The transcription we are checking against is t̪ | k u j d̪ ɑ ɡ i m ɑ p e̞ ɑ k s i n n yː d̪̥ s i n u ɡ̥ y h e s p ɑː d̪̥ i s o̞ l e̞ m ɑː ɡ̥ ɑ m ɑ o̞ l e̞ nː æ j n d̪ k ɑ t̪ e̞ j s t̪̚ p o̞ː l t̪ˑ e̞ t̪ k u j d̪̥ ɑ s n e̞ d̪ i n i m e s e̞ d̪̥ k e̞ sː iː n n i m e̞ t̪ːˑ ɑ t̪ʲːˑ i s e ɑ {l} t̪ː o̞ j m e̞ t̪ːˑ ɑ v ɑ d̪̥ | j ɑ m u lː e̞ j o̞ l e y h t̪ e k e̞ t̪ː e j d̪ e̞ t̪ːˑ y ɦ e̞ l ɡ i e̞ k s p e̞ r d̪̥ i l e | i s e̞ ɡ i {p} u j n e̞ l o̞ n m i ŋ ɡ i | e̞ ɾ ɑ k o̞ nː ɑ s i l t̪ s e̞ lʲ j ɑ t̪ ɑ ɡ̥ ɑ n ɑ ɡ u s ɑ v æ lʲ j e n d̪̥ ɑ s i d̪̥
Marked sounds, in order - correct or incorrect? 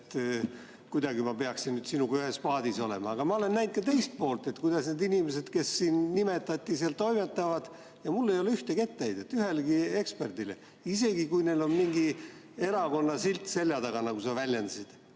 correct, incorrect: k

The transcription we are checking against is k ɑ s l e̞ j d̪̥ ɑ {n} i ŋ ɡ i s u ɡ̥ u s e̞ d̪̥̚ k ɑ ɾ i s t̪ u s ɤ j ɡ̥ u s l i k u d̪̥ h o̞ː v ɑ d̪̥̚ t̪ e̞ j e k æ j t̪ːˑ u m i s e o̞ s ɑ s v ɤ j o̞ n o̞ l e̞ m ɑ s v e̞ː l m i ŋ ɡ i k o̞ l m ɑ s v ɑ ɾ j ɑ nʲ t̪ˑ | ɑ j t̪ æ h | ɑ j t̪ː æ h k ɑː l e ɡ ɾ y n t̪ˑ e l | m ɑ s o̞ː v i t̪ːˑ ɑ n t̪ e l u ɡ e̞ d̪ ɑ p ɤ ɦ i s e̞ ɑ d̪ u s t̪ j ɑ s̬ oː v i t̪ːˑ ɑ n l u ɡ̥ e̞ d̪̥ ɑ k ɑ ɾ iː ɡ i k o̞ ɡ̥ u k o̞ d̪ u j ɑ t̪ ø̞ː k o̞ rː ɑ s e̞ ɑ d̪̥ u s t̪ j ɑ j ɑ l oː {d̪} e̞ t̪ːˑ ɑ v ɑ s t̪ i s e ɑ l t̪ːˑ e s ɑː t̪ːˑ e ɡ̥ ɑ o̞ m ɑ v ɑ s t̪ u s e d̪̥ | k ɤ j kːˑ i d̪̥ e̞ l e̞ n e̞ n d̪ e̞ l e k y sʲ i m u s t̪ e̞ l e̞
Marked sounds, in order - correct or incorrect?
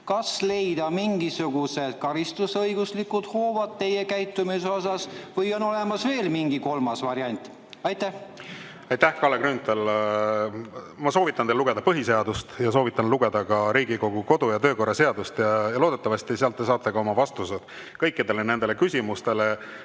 incorrect: m, correct

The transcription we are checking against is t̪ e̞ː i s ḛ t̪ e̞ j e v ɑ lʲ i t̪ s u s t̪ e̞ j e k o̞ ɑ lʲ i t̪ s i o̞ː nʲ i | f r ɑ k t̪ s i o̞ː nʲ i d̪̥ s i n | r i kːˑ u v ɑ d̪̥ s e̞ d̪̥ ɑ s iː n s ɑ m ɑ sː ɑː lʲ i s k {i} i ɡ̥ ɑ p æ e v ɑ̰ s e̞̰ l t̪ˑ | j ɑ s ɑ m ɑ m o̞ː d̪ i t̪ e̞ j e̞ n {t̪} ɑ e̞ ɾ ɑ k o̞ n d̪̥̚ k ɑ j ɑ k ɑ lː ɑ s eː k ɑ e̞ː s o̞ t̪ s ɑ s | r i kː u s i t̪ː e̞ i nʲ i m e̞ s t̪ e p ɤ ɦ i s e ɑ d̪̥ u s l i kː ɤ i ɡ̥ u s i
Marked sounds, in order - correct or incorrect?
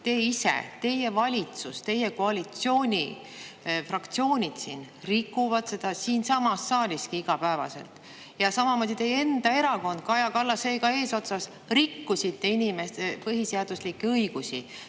correct, incorrect: d̪

